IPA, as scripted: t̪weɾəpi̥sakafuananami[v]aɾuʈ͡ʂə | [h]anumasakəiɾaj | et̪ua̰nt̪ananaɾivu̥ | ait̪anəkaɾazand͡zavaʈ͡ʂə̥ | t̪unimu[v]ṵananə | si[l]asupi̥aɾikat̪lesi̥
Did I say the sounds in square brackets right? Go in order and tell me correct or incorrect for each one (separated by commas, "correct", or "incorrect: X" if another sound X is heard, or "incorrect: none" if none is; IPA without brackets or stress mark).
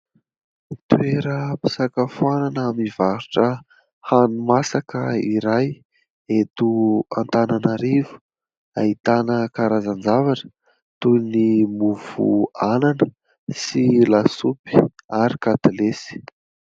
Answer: correct, correct, correct, correct